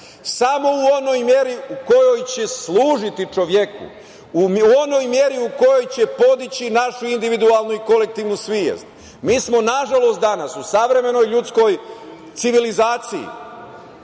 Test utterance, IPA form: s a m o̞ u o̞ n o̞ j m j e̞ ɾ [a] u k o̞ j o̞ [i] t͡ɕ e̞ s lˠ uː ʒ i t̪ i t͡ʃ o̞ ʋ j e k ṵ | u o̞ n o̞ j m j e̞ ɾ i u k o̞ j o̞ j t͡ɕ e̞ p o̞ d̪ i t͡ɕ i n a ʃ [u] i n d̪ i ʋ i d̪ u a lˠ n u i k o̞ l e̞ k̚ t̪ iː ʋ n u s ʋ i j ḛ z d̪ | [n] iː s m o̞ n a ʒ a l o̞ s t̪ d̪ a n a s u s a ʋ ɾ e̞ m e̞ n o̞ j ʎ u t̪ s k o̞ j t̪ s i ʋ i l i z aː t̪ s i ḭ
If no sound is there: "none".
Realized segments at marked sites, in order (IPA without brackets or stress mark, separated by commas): i, j, u, m